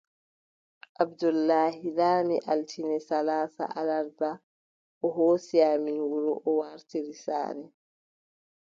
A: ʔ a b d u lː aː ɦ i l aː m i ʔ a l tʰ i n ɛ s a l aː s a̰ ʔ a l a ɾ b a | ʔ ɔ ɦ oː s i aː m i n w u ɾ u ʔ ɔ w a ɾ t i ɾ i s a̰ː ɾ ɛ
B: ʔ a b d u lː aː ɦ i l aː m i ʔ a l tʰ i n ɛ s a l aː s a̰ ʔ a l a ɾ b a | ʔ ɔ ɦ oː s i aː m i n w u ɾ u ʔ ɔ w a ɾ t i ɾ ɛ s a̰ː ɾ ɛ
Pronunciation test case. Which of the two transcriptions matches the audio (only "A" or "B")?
A